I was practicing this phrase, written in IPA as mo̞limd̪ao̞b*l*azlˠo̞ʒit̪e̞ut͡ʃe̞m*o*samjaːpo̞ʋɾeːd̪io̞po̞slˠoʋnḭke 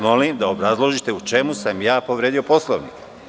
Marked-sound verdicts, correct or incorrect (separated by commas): incorrect, incorrect